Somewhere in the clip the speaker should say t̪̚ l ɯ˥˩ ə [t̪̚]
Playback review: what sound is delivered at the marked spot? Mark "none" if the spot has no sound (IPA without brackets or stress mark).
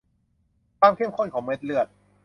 t̪̚